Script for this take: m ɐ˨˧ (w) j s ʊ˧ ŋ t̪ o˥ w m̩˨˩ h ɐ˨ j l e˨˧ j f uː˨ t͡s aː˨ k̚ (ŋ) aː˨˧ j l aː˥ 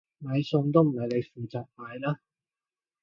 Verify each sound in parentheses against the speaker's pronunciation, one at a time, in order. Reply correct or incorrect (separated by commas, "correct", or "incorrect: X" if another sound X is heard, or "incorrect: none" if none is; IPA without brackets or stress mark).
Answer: incorrect: none, incorrect: m